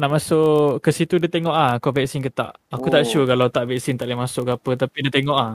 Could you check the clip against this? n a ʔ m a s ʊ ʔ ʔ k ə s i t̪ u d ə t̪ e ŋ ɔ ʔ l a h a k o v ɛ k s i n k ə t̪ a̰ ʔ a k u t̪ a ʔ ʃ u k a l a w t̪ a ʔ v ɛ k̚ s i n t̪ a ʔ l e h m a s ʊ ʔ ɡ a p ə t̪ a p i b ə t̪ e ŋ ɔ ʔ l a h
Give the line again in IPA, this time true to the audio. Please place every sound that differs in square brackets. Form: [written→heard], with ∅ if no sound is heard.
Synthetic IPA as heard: n a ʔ m a s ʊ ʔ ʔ k ə s i t̪ u d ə t̪ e ŋ ɔ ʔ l a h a k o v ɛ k s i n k ə t̪ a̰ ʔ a k u t̪ a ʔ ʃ u k a l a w t̪ a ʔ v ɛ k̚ s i n t̪ a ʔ l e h m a s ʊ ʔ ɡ a p ə t̪ a p i [b→d] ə t̪ e ŋ ɔ ʔ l a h